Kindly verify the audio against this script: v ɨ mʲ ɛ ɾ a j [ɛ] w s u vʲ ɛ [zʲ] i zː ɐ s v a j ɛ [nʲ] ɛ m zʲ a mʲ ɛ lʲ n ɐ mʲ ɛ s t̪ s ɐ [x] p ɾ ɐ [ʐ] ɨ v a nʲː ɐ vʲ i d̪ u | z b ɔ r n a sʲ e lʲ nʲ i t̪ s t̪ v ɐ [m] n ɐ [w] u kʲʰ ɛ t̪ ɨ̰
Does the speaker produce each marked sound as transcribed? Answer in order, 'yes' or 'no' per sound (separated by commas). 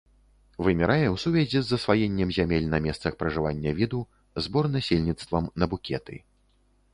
yes, yes, no, yes, yes, yes, no